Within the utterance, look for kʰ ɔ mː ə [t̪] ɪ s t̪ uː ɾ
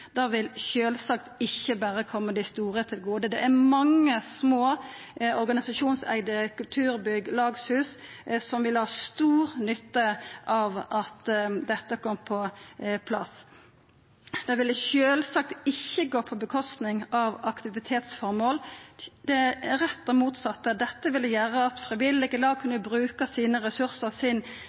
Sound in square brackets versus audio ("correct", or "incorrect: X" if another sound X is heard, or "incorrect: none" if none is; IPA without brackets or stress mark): incorrect: d̪